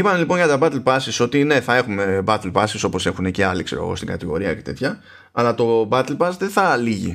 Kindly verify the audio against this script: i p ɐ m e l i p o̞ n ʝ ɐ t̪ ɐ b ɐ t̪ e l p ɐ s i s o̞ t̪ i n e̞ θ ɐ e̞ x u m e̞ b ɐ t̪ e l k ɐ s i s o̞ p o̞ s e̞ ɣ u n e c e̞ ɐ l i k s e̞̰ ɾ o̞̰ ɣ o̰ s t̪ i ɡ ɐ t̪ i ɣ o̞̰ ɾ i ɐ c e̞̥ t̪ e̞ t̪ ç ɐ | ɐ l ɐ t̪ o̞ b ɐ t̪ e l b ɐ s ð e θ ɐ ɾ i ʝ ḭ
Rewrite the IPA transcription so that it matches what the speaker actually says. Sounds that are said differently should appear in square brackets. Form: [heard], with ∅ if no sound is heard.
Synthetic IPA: i p ɐ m e l i p o̞ n ʝ ɐ t̪ ɐ b ɐ t̪ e l p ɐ s i s o̞ t̪ i n e̞ θ ɐ e̞ x u m e̞ b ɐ t̪ e l [p] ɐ s i s o̞ p o̞ s e̞ [x] u n e c e̞ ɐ l i k s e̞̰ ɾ o̞̰ ɣ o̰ s t̪ i ɡ ɐ t̪ i ɣ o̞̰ ɾ i ɐ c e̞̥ t̪ e̞ t̪ ç ɐ | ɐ l ɐ t̪ o̞ b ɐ t̪ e l [p] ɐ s ð e θ ɐ [l] i ʝ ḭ